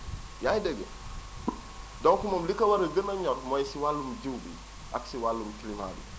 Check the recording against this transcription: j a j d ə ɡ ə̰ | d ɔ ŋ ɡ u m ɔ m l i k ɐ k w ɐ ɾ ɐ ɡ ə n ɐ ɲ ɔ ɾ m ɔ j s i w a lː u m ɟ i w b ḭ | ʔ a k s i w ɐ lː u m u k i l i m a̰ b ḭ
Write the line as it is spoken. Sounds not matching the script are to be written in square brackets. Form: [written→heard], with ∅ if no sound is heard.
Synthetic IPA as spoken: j a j d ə ɡ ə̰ | d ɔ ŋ [ɡ→k] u m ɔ m l i k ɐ [k→∅] w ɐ ɾ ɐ ɡ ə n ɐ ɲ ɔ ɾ m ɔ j s i w a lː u m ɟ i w b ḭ | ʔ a k s i w [ɐ→a] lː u m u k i l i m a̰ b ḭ